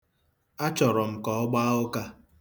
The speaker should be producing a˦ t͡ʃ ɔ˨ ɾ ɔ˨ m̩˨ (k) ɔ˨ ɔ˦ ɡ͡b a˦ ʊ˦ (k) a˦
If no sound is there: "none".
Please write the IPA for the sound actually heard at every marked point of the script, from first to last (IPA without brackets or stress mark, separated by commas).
k, k